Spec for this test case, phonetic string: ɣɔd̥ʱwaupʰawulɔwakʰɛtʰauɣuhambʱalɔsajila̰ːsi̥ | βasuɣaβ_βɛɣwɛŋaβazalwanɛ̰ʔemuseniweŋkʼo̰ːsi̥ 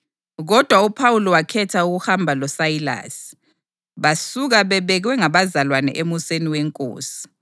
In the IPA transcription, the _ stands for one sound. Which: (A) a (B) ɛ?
B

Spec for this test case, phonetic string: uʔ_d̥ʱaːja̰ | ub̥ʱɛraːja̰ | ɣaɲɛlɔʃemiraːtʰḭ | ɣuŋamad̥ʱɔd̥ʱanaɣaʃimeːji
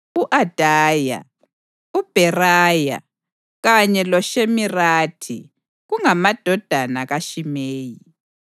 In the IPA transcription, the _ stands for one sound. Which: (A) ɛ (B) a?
B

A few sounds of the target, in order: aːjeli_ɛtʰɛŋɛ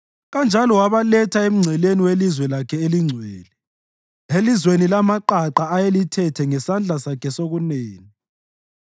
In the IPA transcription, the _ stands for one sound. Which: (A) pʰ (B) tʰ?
B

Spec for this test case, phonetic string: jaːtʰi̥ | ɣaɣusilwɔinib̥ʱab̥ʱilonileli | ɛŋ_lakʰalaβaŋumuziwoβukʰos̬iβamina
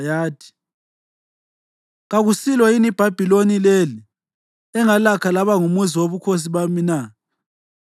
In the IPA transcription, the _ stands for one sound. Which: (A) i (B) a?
B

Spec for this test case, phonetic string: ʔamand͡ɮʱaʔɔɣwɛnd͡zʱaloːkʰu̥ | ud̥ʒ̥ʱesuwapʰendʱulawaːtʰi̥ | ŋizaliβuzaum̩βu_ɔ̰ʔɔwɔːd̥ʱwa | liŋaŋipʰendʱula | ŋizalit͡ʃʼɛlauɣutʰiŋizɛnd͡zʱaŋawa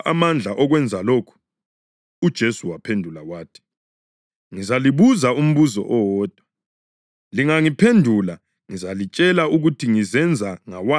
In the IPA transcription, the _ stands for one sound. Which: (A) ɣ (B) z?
B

